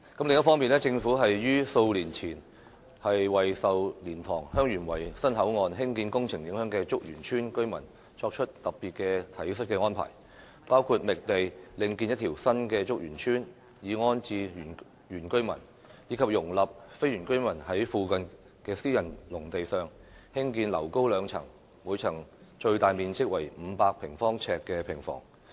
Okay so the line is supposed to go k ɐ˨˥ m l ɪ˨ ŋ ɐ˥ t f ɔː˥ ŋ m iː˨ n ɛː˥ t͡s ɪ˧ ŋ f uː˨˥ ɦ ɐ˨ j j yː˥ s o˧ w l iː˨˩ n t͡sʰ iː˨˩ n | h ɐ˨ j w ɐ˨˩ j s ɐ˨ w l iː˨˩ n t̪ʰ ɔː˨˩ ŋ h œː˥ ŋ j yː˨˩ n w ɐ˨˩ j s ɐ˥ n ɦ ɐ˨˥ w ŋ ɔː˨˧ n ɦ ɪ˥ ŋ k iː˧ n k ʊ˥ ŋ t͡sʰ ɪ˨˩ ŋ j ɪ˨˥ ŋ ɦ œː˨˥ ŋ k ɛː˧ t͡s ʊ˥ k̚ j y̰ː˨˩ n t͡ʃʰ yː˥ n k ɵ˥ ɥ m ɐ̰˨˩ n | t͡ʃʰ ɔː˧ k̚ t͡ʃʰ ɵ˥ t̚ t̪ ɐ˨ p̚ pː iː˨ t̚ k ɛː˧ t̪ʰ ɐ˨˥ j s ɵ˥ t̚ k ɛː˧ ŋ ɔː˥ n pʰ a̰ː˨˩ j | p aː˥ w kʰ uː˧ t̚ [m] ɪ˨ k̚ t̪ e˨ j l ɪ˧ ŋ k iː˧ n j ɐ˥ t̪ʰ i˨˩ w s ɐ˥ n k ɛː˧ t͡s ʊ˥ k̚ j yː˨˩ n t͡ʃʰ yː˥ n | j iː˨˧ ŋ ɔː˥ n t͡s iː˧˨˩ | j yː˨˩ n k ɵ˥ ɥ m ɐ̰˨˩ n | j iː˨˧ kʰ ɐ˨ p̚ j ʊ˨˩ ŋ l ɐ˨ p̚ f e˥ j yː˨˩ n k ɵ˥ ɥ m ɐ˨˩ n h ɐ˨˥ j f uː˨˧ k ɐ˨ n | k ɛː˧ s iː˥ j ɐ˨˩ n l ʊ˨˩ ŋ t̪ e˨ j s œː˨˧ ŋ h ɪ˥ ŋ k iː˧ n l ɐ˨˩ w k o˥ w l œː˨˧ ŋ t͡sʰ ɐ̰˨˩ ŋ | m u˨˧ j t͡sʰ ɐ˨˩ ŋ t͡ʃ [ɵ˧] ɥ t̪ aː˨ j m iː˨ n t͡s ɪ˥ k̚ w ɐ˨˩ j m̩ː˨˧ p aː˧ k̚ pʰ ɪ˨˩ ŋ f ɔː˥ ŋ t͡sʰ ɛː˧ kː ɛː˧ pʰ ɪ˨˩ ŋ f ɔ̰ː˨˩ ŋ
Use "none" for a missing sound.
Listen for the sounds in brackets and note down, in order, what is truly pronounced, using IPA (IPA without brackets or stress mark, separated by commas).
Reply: m, ɵ˧